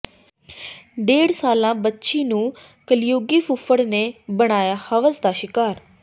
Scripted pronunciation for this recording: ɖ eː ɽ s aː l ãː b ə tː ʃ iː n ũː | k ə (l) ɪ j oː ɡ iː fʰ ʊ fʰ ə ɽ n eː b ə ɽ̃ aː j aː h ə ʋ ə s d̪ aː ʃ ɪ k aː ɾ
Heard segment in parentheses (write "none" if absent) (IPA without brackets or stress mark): l